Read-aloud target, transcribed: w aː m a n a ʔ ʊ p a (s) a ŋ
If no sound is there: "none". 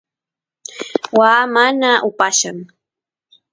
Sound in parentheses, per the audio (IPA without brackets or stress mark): ʃ